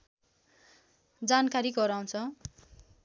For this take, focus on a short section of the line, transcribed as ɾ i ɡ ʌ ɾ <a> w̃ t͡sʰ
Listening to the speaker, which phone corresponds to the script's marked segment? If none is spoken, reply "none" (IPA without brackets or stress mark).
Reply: a